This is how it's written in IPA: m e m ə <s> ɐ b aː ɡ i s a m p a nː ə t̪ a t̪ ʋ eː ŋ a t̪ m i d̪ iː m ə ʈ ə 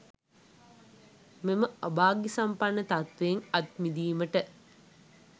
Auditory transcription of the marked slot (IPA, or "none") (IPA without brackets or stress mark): none